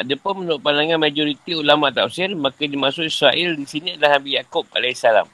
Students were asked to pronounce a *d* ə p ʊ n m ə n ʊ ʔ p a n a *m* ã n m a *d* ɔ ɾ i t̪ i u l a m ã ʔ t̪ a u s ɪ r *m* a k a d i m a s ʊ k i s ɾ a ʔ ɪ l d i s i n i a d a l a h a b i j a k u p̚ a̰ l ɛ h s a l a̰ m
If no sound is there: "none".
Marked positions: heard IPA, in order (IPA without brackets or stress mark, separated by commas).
d, ŋ, d͡ʒ, m